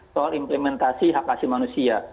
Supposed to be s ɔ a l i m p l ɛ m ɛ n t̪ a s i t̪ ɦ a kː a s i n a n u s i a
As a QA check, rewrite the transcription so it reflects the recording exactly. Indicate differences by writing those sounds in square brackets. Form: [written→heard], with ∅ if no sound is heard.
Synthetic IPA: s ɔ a l i m p l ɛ m ɛ n t̪ a s i [t̪→∅] ɦ a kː a s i [n→m] a n u s i a

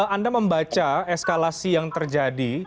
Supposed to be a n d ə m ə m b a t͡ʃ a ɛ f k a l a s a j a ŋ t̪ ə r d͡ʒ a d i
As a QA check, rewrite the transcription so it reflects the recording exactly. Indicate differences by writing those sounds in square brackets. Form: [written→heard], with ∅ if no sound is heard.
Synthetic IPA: a n d [ə→a] m ə m b a t͡ʃ a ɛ [f→s] k a l a s [a→i] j a ŋ t̪ ə r d͡ʒ a d i

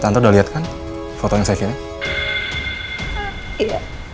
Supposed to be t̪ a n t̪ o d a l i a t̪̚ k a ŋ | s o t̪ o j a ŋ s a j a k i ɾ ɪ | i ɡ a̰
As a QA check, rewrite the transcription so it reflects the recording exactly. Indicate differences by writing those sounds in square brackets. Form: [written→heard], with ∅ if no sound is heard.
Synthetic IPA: t̪ a n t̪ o d a l i a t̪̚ k a [ŋ→n] | [s→f] o t̪ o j a ŋ s a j a k i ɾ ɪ | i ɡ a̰

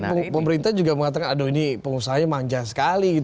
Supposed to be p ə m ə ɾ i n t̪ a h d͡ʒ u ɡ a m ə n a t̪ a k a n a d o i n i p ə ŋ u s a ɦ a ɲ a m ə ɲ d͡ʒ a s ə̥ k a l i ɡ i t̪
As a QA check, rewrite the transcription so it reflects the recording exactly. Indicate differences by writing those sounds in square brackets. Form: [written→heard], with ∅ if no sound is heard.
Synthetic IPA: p ə m ə ɾ i n t̪ a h d͡ʒ u ɡ a m ə [n→ŋ] a t̪ a k a n a d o i n i p ə ŋ u s a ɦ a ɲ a m [ə→a] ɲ d͡ʒ a s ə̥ k a l i ɡ i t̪

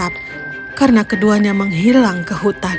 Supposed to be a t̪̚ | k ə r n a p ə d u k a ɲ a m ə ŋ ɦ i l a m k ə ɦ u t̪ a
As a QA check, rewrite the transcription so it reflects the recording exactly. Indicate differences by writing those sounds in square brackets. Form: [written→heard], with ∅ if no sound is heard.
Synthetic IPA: a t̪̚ | k [ə→a] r n a [p→k] ə d u [k→∅] a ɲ a m ə ŋ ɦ i l a [m→ŋ] k ə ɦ u t̪ a

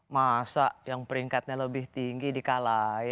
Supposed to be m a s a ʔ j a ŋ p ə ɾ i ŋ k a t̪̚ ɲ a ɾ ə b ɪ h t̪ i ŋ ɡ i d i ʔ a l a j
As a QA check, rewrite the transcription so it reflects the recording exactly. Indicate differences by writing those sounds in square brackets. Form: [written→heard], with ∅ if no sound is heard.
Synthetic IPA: m a s a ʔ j a ŋ p ə ɾ i ŋ k a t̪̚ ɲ a [ɾ→l] ə b ɪ h t̪ i ŋ ɡ i d i [ʔ→k] a l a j

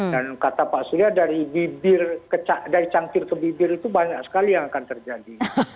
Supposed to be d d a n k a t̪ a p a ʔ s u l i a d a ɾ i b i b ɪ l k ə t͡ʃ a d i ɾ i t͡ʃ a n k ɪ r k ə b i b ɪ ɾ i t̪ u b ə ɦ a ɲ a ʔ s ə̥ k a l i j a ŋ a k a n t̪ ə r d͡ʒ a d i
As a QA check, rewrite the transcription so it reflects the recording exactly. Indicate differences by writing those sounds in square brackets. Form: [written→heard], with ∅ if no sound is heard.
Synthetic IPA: d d a n k a t̪ a p a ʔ s u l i a d a ɾ i b i b ɪ [l→r] k ə t͡ʃ a d [i→a] ɾ i t͡ʃ a [n→ŋ] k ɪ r k ə b i b ɪ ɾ i t̪ u b [ə→a] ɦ a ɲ a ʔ s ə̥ k a l i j a ŋ a k a n t̪ ə r d͡ʒ a d i

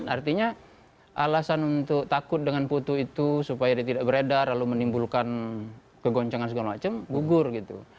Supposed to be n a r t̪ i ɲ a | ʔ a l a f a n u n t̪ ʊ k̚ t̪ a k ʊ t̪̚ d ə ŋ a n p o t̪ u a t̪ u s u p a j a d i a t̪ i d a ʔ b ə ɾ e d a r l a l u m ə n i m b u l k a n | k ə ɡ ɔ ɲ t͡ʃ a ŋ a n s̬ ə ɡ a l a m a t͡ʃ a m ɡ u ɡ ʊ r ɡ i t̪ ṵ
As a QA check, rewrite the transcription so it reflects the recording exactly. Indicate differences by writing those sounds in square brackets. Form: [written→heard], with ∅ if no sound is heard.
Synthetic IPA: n a r t̪ i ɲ a | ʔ a l a [f→s] a n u n t̪ ʊ k̚ t̪ a k ʊ t̪̚ d ə ŋ a n p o t̪ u [a→i] t̪ u s u p a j a d i a t̪ i d a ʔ b ə ɾ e d a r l a l u m ə n i m b u l k a n | k ə ɡ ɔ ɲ t͡ʃ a ŋ a n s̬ ə ɡ a l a m a t͡ʃ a m ɡ u ɡ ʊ r ɡ i t̪ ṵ

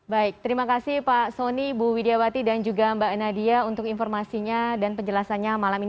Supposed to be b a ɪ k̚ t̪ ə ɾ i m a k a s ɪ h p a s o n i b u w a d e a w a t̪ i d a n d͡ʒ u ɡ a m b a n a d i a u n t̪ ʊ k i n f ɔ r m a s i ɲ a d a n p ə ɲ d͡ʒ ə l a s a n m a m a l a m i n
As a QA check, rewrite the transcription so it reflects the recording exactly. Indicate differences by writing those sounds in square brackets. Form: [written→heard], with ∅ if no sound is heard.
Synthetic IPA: b a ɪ k̚ t̪ ə ɾ i m a k a s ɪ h p a s o n i b u w [a→i] d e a w a t̪ i d a n d͡ʒ u ɡ a m b a n a d i a u n t̪ ʊ k i n f ɔ r m a s i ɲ a d a n p ə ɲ d͡ʒ ə l a s a n [m→ɲ] a m a l a m i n

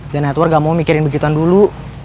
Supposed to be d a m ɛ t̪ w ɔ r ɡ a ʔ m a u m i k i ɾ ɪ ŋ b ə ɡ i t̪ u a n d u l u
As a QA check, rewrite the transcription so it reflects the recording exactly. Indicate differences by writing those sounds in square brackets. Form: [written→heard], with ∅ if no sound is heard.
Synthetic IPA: d a [m→n] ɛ t̪ w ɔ r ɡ a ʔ m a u m i k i ɾ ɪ [ŋ→n] b ə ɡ i t̪ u a n d u l u

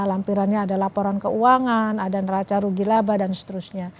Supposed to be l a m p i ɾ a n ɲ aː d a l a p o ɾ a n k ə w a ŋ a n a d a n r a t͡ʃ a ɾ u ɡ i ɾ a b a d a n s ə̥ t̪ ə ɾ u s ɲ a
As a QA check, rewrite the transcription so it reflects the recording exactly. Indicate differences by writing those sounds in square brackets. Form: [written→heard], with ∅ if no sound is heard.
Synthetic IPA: l a m p i ɾ a n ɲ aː d a l a p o ɾ a n k ə [w→u] a ŋ a n a d a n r a t͡ʃ a ɾ u ɡ i [ɾ→l] a b a d a n s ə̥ t̪ ə ɾ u s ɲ a

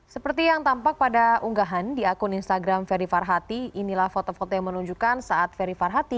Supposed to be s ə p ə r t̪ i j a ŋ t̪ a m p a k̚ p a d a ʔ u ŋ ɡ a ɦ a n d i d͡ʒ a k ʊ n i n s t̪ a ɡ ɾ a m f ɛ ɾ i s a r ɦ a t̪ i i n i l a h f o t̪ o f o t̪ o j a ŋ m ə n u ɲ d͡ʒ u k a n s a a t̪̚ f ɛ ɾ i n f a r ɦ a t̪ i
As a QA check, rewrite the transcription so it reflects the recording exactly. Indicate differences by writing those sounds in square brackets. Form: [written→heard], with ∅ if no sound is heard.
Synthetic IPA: s ə p ə r t̪ i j a ŋ t̪ a m p a k̚ p a d a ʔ u ŋ ɡ a ɦ a n d i [d͡ʒ→∅] a k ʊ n i n s t̪ a ɡ ɾ a m f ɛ ɾ i [s→f] a r ɦ a t̪ i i n i l a h f o t̪ o f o t̪ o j a ŋ m ə n u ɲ d͡ʒ u k a n s a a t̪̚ f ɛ ɾ i [n→∅] f a r ɦ a t̪ i

